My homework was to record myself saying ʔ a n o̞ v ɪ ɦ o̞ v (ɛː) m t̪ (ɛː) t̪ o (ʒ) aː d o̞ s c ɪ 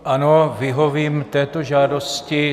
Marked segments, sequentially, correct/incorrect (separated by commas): incorrect, correct, correct